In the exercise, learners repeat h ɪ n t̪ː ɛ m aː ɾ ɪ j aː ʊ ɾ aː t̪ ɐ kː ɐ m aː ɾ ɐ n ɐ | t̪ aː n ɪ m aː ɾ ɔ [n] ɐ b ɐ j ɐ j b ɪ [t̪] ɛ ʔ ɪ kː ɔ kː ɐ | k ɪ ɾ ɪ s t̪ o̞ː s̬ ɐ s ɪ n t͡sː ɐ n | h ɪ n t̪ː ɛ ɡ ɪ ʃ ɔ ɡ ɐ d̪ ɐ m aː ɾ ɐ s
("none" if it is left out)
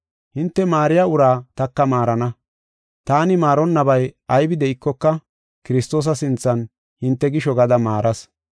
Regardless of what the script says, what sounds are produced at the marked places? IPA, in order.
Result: nː, d̪

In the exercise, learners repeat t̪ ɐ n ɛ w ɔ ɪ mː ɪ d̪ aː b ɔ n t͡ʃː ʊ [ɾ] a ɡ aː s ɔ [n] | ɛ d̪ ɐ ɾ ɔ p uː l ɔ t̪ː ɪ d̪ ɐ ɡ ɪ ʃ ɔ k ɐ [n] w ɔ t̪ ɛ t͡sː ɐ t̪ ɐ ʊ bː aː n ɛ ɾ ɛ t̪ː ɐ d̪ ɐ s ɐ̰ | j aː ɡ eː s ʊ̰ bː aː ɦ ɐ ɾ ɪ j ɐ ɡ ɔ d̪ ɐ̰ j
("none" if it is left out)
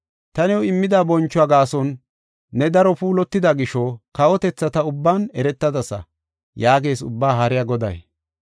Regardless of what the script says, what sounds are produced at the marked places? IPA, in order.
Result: none, nː, none

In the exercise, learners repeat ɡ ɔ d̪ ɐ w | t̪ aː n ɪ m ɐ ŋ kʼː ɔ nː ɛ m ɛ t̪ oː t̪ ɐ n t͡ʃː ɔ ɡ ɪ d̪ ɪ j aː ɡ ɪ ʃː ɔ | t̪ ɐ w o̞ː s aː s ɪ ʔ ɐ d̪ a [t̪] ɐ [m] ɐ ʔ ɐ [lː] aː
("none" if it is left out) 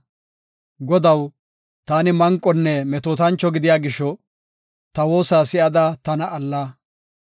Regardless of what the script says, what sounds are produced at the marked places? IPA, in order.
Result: t̪, n, lː

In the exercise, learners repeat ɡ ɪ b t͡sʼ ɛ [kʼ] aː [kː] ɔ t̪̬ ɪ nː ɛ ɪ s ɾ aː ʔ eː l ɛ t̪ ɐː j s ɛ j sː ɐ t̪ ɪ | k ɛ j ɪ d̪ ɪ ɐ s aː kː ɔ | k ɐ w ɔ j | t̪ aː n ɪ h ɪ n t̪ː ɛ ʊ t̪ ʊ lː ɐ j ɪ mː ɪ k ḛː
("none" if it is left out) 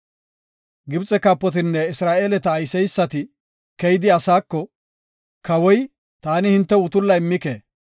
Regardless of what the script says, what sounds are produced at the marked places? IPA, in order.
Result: k, pː

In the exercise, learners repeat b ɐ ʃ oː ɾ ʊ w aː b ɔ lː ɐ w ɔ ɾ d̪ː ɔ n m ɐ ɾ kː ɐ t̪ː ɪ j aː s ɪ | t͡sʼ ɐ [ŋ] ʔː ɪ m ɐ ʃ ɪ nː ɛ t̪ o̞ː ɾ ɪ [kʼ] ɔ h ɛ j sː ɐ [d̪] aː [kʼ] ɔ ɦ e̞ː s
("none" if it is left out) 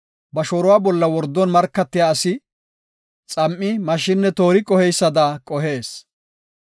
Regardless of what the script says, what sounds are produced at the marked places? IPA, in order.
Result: m, kʼ, d̪, kʼ

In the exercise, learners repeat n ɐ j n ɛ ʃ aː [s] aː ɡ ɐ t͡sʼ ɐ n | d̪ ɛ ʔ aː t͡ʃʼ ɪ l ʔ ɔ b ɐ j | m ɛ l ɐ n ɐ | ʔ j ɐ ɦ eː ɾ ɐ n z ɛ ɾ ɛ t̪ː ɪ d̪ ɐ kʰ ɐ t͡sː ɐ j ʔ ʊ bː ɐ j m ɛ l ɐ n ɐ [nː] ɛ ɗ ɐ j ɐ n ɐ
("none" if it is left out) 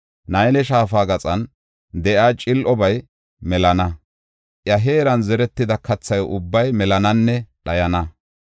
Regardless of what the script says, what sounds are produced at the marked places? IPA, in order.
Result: f, nː

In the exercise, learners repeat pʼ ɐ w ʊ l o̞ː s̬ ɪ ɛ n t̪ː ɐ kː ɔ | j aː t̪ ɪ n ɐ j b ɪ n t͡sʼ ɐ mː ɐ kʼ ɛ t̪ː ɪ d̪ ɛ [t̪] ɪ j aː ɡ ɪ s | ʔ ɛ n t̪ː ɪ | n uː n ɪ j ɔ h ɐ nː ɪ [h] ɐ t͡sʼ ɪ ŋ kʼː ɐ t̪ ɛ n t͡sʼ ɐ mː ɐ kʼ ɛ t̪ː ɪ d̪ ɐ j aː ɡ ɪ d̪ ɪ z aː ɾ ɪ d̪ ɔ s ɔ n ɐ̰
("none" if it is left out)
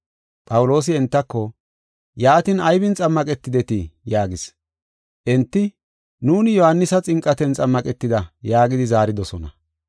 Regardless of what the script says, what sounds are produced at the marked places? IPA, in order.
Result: t̪, s

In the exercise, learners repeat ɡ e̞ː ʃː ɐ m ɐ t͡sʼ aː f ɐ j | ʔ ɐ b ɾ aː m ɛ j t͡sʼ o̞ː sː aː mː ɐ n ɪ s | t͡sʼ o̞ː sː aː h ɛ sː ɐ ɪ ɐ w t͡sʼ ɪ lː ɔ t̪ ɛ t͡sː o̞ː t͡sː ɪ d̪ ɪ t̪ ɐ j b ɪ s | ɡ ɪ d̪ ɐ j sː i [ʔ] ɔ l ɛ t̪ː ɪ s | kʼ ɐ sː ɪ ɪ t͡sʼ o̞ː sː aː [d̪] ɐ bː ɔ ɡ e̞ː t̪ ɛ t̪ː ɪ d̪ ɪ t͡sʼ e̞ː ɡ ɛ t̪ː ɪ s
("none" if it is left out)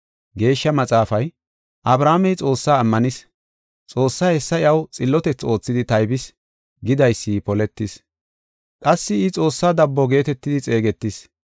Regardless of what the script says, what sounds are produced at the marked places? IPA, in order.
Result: p, d̪

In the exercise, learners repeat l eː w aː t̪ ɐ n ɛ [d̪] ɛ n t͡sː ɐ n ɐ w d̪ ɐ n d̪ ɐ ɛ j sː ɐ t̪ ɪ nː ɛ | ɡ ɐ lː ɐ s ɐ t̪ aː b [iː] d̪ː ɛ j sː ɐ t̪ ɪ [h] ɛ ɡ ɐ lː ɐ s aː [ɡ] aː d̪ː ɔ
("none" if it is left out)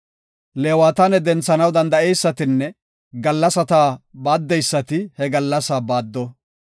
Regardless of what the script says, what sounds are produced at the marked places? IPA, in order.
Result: d̪, aː, h, b

